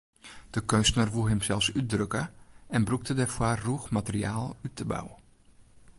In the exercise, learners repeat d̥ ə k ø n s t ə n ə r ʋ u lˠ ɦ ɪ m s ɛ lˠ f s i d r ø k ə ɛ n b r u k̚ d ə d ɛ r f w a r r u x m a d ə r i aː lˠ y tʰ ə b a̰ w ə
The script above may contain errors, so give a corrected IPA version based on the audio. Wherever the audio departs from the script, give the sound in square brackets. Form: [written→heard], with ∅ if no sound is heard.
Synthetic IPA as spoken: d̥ ə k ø n s t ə n ə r ʋ u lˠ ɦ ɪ m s ɛ lˠ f s [i→y] d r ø k ə ɛ n b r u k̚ [d→t] ə d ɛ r f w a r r u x m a [d→t] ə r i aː lˠ y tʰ ə b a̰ w ə